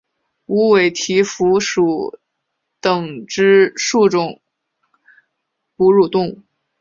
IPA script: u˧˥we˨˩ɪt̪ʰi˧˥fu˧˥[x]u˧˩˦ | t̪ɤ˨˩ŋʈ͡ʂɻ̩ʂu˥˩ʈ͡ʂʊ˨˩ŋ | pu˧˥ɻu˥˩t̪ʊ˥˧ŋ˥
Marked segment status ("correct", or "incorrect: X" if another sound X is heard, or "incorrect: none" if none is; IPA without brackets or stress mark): incorrect: ʂ